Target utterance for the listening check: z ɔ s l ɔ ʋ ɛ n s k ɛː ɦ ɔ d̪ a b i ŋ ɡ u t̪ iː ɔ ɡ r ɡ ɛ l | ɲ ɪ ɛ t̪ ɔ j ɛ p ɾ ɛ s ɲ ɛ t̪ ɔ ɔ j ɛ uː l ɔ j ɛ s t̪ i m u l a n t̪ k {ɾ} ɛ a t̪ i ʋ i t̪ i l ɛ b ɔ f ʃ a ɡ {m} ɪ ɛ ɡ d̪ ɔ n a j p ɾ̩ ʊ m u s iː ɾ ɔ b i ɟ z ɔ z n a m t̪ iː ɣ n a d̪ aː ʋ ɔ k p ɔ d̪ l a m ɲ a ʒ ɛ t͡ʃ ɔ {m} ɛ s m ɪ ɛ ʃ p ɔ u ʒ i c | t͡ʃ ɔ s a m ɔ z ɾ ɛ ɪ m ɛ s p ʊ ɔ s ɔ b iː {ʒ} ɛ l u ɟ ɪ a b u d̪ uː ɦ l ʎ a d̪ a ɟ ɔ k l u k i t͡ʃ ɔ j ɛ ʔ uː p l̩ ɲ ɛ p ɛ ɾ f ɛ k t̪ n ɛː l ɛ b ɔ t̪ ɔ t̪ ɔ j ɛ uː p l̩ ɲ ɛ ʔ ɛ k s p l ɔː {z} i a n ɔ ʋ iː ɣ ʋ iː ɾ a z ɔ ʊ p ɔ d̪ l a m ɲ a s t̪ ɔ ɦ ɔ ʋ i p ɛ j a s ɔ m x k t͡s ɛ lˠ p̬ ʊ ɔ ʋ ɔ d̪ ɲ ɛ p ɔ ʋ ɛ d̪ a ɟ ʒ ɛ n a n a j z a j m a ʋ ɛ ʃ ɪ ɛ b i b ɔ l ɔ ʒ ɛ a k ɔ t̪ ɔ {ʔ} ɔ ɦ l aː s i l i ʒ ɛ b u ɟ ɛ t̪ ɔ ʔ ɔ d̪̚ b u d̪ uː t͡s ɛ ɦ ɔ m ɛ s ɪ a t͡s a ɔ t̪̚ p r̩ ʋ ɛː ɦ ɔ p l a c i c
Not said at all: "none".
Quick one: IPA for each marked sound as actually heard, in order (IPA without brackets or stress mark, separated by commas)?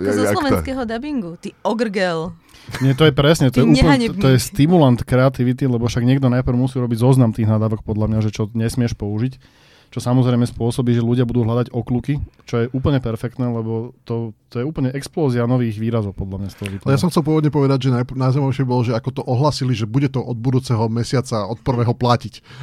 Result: ɾ, ɲ, ɲ, ʒ, z, ʔ